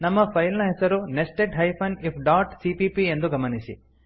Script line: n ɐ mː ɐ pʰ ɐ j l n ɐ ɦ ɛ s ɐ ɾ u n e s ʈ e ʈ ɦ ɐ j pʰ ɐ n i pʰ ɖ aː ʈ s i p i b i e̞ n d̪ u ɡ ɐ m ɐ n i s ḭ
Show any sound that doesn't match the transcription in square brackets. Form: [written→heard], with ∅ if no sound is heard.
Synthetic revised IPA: n ɐ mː ɐ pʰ ɐ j l n ɐ ɦ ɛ s ɐ ɾ u n e s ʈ e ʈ ɦ ɐ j pʰ ɐ n i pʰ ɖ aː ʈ s i p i [b→p] i e̞ n d̪ u ɡ ɐ m ɐ n i s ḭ